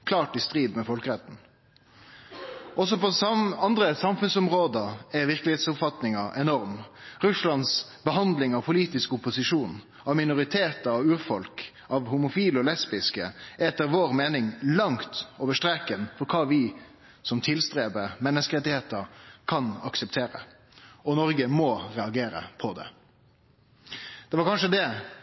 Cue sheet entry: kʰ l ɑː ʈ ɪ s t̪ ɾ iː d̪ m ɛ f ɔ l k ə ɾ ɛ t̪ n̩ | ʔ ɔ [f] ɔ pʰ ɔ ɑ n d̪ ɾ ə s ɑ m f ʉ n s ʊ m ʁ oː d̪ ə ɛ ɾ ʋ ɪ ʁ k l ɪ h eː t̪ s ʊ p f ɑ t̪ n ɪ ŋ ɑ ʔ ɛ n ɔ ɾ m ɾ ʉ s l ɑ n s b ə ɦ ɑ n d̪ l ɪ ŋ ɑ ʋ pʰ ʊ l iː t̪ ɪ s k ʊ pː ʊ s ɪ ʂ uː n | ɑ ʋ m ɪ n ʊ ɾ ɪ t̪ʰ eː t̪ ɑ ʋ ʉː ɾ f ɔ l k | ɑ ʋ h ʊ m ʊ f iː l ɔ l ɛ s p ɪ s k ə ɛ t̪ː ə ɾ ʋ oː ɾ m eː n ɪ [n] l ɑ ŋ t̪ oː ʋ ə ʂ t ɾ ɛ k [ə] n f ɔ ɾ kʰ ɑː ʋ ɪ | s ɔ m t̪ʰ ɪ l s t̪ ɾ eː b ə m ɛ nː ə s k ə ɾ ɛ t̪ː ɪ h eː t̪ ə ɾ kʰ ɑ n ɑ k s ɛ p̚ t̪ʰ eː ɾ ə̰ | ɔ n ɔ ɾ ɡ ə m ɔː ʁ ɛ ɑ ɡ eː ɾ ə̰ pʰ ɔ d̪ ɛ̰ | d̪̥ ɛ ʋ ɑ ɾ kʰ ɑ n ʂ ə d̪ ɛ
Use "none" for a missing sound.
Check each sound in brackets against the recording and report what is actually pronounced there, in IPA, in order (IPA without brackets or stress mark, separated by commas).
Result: s, ŋ, ə